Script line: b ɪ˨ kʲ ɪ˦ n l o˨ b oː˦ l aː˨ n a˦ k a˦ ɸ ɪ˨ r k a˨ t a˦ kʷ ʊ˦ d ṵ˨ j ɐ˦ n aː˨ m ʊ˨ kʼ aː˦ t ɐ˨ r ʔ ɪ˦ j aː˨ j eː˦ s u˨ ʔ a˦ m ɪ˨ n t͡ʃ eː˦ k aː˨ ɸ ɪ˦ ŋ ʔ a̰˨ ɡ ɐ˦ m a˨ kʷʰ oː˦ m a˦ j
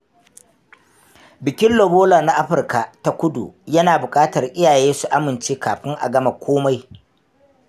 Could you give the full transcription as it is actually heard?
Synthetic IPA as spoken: b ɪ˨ kʲ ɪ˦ n l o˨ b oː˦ l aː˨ n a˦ ʔ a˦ ɸ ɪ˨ r k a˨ t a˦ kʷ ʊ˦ d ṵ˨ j ɐ˦ n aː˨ b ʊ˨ kʼ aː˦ t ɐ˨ r ʔ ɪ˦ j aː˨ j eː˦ s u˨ ʔ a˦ m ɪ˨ n t͡ʃ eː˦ k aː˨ ɸ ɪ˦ ŋ ʔ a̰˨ ɡ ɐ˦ m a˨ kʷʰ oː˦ m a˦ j

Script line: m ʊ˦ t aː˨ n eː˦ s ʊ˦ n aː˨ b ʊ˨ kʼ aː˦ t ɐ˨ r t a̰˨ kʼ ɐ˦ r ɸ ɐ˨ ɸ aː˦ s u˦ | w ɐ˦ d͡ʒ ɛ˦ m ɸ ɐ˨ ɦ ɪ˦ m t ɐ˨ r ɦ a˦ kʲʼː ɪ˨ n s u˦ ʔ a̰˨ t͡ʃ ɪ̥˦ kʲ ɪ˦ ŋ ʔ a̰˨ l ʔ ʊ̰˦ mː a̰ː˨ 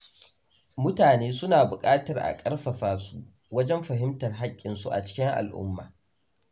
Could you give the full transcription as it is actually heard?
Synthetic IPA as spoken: m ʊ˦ t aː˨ n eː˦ s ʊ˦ n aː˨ b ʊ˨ kʼ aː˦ t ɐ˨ r ʔ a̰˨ kʼ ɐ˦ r ɸ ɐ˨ ɸ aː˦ s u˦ | w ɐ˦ d͡ʒ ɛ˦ m ɸ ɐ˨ ɦ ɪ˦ m t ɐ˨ r ɦ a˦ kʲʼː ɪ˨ n s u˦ ʔ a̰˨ t͡ʃ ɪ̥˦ kʲ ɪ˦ ŋ ʔ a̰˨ l ʔ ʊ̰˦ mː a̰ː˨

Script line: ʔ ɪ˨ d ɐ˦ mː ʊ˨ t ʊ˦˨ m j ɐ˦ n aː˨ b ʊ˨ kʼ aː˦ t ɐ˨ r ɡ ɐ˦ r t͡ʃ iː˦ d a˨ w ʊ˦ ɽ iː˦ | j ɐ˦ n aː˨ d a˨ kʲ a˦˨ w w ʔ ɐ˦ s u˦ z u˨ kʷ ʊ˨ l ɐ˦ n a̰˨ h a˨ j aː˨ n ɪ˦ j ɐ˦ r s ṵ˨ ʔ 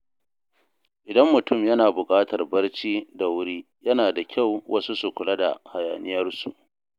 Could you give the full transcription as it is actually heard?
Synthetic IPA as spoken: ʔ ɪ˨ d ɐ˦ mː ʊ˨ t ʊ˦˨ m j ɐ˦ n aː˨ b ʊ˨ kʼ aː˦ t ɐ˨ r b ɐ˦ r t͡ʃ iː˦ d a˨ w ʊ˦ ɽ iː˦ | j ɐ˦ n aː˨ d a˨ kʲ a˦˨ w w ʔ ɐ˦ s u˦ s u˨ kʷ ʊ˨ l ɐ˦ d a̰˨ h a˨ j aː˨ n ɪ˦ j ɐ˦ r s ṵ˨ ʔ

